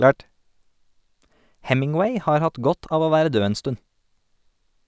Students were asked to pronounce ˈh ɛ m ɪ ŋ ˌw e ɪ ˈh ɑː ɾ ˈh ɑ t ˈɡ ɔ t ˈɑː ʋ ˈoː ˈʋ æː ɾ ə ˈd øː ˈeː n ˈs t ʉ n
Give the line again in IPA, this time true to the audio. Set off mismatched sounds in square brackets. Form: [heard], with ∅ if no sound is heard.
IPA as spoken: ˈh ɛ m ɪ ŋ ˌw e ɪ ˈh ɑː ɾ ˈh ɑ t ˈɡ ɔ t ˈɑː ʋ ˈoː ˈʋ æː ɾ ə ˈd øː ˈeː n ˈs t ʉ n